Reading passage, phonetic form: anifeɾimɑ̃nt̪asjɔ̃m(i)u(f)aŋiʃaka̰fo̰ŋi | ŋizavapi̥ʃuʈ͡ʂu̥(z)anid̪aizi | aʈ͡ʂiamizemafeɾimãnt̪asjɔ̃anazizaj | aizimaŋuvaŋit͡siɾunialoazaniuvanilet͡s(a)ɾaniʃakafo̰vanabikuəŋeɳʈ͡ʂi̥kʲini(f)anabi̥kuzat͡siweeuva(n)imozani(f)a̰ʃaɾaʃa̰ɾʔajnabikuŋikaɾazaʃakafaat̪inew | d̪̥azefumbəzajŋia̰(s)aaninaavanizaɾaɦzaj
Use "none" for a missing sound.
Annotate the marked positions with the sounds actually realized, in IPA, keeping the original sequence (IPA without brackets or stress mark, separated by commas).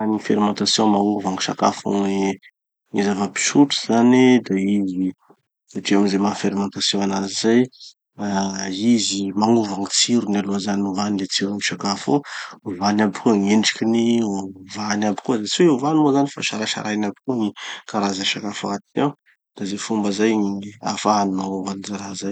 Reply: a, v, z, i, v, n, f, f